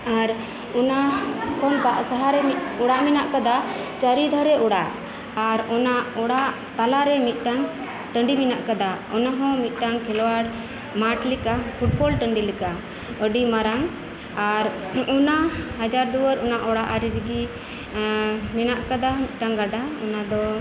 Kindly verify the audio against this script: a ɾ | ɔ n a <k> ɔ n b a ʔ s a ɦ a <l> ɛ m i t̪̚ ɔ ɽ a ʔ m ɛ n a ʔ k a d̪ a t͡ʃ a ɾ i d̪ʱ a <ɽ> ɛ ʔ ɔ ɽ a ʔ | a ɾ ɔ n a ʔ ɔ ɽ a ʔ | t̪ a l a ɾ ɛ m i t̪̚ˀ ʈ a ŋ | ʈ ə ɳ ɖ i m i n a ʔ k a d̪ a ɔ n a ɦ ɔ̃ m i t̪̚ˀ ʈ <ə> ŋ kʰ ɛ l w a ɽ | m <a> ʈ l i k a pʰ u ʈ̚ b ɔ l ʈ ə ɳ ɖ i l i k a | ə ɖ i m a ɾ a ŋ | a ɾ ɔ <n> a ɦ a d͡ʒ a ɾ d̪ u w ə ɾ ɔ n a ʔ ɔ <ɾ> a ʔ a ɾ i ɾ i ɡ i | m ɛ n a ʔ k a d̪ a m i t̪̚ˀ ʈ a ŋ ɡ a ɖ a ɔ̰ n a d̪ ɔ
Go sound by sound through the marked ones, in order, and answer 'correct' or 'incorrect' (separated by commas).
correct, incorrect, incorrect, incorrect, correct, correct, incorrect